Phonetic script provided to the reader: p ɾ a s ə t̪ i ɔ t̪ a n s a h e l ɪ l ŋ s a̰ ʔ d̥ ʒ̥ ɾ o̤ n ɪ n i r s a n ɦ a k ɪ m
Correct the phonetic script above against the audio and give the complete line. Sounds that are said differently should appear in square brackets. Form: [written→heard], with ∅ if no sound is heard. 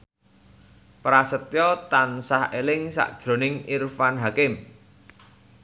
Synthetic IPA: p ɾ a s ə t̪ [i→j] ɔ t̪ a n s a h e l ɪ [l→∅] ŋ s a̰ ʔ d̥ ʒ̥ ɾ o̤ n ɪ [n→ŋ] i r [s→f] a n ɦ a k ɪ m